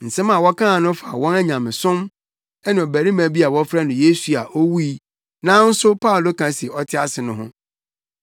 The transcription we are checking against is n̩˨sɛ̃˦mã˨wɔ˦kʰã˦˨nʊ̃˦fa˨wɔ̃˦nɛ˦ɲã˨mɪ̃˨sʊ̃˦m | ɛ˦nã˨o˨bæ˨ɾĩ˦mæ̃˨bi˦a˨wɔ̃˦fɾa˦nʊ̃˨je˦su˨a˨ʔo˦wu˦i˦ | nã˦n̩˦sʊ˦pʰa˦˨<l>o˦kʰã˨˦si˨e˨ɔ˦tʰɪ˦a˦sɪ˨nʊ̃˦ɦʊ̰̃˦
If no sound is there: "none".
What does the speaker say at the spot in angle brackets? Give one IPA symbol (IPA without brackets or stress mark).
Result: l